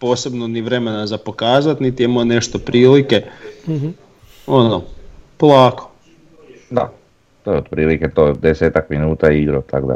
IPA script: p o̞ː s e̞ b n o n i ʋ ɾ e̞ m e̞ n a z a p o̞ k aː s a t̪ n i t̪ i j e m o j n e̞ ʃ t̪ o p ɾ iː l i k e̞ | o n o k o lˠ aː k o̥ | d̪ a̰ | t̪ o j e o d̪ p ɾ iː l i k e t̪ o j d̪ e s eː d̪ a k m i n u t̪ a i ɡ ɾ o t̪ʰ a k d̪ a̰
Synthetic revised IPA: p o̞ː s e̞ b n o n i ʋ ɾ e̞ m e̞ n a z a p o̞ k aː z a t̪ n i t̪ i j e m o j n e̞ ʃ t̪ o p ɾ iː l i k e̞ | o n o p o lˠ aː k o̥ | d̪ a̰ | t̪ o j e o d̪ p ɾ iː l i k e t̪ o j d̪ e s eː t̪ a k m i n uː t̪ a i ɡ ɾ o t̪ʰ a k d̪ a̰